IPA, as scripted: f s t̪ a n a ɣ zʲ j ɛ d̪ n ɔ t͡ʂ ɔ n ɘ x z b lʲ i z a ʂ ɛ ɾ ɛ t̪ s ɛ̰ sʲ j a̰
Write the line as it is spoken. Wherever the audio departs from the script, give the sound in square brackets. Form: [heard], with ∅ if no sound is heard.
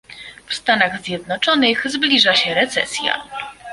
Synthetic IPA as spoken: f s t̪ a n a ɣ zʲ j ɛ d̪ n ɔ t͡ʂ ɔ n ɘ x z b lʲ i [ʐ] a [ɕ] ɛ ɾ ɛ t̪ s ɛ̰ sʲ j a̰